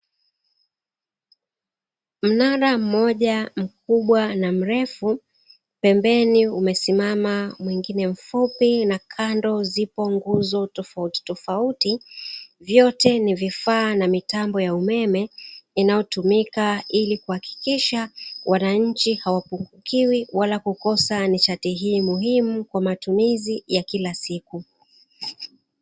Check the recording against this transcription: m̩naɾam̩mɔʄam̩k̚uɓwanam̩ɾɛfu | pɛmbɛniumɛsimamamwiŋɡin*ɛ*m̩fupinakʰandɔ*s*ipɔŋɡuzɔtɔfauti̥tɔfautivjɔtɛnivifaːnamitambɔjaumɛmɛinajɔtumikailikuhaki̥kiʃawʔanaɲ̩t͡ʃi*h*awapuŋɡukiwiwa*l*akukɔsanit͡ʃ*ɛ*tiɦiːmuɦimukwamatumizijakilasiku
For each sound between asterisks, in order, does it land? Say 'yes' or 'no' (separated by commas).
yes, no, yes, yes, no